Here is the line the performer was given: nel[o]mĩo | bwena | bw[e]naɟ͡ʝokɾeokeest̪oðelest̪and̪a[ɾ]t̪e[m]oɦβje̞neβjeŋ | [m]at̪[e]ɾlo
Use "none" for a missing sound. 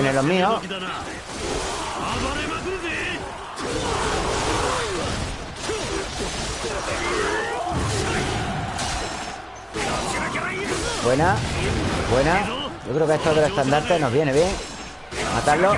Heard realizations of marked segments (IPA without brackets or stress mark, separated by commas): o, e, ɾ, n, m, a